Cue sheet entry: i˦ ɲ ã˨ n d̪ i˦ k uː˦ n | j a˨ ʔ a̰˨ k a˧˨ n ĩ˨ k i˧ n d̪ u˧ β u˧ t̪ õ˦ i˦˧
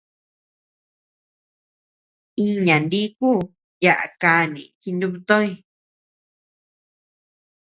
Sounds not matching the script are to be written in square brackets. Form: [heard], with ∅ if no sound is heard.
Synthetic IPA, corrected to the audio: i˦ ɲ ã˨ n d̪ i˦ k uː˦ [∅] | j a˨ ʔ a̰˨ k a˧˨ n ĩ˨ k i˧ n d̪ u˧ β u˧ t̪ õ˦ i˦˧